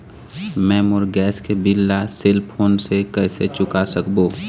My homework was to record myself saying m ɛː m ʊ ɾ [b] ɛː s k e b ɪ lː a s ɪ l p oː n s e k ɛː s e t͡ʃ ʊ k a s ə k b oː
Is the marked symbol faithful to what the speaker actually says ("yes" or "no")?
no